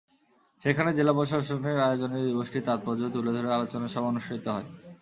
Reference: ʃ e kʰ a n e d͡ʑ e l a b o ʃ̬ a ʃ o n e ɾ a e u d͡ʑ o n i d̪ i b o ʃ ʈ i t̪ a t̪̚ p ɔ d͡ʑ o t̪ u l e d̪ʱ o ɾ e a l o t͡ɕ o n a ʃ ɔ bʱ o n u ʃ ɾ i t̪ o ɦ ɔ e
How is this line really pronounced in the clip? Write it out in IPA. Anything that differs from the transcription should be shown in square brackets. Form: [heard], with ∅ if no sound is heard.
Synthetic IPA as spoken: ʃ e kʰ a n e d͡ʑ e l a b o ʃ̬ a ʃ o n e ɾ a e [o] d͡ʑ o n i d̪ i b o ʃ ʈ i t̪ a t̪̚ p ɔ d͡ʑ o t̪ u l e d̪ʱ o ɾ e a l o t͡ɕ o n a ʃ ɔ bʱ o n u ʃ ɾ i t̪ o ɦ ɔ e

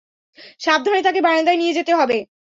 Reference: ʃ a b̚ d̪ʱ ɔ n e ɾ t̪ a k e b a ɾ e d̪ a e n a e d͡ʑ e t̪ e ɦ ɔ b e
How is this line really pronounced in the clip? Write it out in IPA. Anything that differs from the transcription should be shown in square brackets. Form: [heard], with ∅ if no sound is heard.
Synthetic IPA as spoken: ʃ a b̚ d̪ʱ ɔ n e [∅] t̪ a k e b a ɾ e d̪ a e n [i] e d͡ʑ e t̪ e ɦ ɔ b e

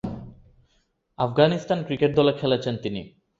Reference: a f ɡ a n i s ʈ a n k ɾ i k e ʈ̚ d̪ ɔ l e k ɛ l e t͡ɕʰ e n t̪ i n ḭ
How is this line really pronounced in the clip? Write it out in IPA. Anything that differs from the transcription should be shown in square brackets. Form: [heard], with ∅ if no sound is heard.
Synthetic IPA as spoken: a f ɡ a n i s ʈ a n k ɾ i k e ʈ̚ d̪ ɔ l e [kʰ] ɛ l e t͡ɕʰ e n t̪ i n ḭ

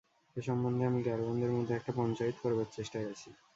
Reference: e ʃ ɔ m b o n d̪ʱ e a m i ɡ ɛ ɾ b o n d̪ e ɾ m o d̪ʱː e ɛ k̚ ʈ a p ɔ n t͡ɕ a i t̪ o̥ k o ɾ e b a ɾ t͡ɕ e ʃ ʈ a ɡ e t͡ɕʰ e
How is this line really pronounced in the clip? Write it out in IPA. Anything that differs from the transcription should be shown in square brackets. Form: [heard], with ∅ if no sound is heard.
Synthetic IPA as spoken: e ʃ ɔ m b o n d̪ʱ e a m i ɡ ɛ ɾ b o n d̪ e ɾ m o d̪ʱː e ɛ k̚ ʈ a p ɔ n t͡ɕ a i t̪ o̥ k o ɾ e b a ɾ t͡ɕ e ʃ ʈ a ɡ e t͡ɕʰ [i]

